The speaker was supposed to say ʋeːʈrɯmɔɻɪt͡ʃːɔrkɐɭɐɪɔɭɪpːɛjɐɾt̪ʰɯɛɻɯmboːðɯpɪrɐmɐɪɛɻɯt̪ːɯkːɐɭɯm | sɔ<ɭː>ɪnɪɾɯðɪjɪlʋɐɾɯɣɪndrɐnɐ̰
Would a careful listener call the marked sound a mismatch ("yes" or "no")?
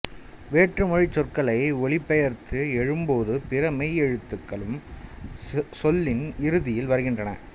yes